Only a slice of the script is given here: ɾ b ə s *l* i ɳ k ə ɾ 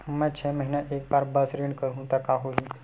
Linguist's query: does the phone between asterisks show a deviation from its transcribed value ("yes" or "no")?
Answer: yes